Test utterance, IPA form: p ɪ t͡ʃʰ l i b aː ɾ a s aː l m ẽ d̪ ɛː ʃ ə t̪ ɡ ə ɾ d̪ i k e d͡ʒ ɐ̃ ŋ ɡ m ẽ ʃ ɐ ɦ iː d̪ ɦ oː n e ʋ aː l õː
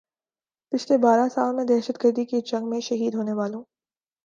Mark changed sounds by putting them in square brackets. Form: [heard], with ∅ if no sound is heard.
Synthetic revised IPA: p ɪ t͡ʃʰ l [e] b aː ɾ a s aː l m ẽ d̪ ɛː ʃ ə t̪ ɡ ə ɾ d̪ i k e d͡ʒ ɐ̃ ŋ ɡ m ẽ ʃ ɐ ɦ iː d̪ ɦ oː n e ʋ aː l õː